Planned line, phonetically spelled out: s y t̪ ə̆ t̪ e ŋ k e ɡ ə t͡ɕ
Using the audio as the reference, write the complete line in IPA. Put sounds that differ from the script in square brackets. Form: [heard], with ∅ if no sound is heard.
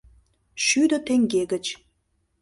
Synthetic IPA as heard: [ʃ] y [d̪] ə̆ t̪ e ŋ [ɡ] e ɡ ə t͡ɕ

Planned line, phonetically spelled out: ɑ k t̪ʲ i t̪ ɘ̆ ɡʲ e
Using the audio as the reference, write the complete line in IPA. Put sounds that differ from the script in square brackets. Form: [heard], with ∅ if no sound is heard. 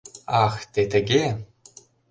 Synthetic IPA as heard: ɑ [x] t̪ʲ [e] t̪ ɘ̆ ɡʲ e

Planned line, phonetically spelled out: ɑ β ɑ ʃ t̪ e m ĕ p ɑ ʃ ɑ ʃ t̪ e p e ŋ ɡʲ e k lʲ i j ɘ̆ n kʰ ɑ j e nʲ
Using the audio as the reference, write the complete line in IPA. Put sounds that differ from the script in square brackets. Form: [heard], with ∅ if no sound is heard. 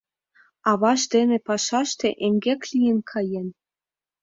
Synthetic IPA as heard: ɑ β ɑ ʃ [d̪] e [n] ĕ p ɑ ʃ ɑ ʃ t̪ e [ʔ] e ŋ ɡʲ e k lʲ i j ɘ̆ n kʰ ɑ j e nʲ

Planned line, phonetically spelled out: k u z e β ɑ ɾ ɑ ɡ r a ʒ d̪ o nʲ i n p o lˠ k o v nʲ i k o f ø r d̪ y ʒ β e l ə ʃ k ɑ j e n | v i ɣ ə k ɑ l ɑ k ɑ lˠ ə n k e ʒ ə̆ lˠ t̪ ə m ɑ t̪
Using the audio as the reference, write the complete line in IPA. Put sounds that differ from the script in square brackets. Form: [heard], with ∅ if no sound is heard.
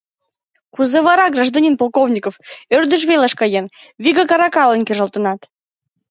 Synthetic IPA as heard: k u z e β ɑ ɾ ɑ ɡ r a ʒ d̪ o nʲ i n p o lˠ k o v nʲ i k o f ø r d̪ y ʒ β e l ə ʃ k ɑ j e n | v i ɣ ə k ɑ [ɾ] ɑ k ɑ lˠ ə n k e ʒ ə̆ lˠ t̪ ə [n] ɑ t̪

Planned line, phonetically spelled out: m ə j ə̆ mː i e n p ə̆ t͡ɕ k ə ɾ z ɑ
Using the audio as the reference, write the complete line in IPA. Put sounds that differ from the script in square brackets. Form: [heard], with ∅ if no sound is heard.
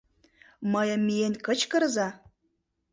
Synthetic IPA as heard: m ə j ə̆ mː i e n [k] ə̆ t͡ɕ k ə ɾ z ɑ

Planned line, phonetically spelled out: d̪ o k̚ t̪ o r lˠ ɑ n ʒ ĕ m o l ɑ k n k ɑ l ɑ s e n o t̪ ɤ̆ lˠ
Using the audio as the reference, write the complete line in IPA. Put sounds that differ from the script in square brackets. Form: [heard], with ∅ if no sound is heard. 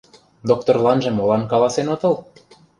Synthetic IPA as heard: d̪ o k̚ t̪ o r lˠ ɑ n ʒ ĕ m o l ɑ [∅] n k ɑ l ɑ s e n o t̪ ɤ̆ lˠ

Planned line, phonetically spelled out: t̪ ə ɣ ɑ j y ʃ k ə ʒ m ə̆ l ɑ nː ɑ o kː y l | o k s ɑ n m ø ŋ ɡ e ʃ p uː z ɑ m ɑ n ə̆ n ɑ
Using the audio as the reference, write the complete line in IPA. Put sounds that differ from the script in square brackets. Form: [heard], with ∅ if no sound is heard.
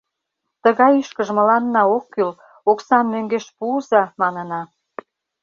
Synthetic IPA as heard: t̪ ə ɣ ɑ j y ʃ k ə ʒ m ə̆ l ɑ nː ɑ o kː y l | o k s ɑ n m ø ŋ ɡ e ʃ p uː z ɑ m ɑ n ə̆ n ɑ

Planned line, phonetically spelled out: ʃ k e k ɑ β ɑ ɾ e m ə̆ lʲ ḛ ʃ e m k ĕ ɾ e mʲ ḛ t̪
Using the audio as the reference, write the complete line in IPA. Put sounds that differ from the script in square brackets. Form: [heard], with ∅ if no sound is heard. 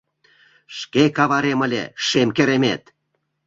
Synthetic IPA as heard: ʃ k e k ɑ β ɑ ɾ e m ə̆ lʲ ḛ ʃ e m k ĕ ɾ e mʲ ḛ t̪

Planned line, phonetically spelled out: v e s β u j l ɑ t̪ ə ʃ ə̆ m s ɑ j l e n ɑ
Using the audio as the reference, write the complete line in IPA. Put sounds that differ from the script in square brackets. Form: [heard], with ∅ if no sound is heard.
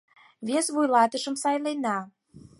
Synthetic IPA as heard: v e s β u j l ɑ t̪ ə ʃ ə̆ m s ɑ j l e n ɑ

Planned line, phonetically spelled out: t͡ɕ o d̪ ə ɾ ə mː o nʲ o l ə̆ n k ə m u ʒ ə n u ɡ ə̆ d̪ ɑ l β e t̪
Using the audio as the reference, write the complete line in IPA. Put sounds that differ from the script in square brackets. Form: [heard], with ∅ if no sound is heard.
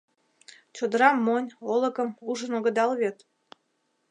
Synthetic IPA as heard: t͡ɕ o d̪ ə ɾ [ɑ] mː o nʲ o l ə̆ [∅] k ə m u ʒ ə n [o] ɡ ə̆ d̪ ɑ l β e t̪

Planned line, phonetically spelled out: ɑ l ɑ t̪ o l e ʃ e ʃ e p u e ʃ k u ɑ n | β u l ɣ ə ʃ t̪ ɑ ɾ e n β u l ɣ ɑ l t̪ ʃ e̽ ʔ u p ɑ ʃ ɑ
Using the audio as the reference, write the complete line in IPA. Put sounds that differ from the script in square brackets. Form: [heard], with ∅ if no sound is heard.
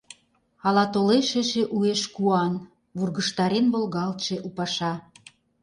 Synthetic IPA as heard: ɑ l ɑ t̪ o l e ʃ e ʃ e [ʔ] u e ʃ k u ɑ n | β u [r] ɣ ə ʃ t̪ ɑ ɾ e n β [o] l ɣ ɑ l t̪ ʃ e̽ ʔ u p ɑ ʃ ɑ

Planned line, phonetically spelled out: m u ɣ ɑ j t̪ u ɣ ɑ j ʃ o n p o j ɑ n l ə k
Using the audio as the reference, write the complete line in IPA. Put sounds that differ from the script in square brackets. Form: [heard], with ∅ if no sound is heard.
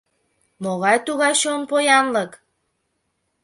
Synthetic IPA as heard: m [o] ɣ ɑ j t̪ u ɣ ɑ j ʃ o n p o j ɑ n l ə k

